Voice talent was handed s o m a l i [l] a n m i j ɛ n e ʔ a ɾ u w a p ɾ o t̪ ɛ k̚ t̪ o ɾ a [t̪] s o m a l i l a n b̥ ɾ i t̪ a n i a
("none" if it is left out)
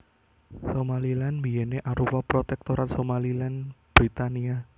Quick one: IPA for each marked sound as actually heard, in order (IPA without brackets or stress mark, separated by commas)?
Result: l, t̪